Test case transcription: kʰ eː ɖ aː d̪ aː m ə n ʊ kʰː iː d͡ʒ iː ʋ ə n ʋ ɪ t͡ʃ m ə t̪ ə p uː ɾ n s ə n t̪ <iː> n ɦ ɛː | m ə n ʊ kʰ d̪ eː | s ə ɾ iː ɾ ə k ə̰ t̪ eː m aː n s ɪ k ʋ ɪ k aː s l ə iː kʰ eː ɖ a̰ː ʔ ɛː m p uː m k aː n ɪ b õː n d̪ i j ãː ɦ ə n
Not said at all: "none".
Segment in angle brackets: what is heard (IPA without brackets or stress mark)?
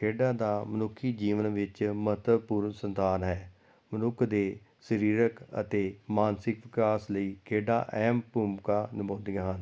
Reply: aː